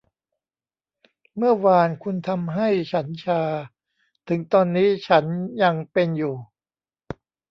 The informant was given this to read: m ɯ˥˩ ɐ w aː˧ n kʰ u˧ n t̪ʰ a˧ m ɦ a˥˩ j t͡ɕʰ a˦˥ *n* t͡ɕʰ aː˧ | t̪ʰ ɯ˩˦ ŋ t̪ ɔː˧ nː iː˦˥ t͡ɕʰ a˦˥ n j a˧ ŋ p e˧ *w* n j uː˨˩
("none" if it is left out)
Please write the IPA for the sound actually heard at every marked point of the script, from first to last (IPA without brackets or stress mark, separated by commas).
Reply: n, none